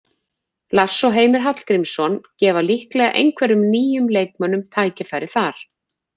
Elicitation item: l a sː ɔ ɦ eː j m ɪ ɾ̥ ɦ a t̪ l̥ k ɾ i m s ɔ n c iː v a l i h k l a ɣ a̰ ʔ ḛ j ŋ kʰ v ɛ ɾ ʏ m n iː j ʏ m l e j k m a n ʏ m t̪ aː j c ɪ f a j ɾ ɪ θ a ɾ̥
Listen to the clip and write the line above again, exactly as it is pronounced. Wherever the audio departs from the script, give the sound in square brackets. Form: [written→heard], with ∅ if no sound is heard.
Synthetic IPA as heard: l a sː ɔ ɦ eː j m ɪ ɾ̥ ɦ a t̪ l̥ k ɾ i m s ɔ n c [iː→ɛː] v a l i h k l [a→ɛ] ɣ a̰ ʔ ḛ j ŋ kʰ v ɛ ɾ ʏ m n iː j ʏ m l e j k m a n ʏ m [t̪→t̪ʰ] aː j c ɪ f a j ɾ ɪ θ a ɾ̥